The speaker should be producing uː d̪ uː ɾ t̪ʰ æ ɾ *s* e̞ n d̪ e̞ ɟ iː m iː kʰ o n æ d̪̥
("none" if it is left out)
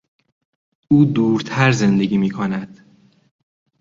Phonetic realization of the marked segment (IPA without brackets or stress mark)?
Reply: z